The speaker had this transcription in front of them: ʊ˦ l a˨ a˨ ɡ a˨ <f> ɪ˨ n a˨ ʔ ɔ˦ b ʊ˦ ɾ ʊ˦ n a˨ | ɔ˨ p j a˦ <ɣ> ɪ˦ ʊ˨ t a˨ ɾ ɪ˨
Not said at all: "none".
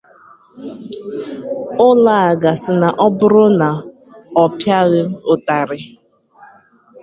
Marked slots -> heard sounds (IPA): s, ɣ

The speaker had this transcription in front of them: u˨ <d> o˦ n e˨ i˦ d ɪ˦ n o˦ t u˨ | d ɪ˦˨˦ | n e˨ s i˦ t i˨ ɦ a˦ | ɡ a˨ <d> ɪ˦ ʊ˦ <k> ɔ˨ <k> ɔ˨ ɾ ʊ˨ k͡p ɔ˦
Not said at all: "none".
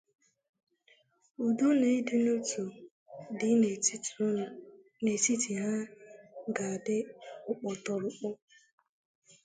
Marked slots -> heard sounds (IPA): d, d, k͡p, t

